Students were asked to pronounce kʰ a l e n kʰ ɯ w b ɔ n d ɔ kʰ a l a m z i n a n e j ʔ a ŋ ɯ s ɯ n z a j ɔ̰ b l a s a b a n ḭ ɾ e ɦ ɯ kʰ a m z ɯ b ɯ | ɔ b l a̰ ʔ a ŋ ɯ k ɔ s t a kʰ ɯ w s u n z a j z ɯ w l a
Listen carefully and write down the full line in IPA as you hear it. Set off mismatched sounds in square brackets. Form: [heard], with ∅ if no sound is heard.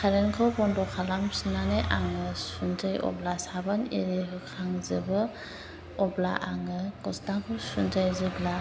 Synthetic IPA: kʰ a [ɾ] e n kʰ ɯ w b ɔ n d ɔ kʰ a l a m [s] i n a n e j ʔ a ŋ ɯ s [u] n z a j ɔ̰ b l a s a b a n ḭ ɾ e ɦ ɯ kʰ a [ŋ] z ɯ b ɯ | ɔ b l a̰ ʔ a ŋ ɯ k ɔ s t a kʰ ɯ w s u n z a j z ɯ [b] l a